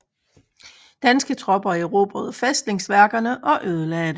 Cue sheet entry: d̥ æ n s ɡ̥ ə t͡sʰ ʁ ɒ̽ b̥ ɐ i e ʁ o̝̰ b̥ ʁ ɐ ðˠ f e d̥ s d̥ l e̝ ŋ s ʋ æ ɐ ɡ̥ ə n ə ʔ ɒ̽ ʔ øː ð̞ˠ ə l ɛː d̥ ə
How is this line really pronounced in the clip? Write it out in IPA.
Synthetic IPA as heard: d̥ æ n s ɡ̥ ə t͡sʰ ʁ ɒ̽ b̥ ɐ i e ʁ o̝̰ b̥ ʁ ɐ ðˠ f e s d̥ l e̝ ŋ s ʋ æ ɐ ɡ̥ ɐ n ə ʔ ɒ̽ ʔ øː ð̞ˠ ə l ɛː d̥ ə